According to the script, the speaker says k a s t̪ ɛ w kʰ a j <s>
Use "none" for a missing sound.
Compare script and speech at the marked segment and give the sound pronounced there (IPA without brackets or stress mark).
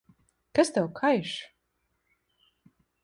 ʃ